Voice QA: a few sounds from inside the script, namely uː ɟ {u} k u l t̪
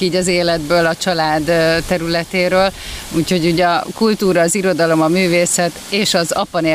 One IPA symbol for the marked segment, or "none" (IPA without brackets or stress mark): ɒ